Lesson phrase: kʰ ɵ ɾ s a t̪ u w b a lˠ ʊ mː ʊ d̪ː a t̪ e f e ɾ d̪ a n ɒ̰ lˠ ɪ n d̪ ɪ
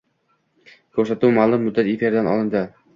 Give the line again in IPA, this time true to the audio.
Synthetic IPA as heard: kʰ ɵ ɾ s a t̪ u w m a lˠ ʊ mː ʊ d̪ː a t̪ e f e ɾ d̪ a n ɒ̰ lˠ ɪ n d̪ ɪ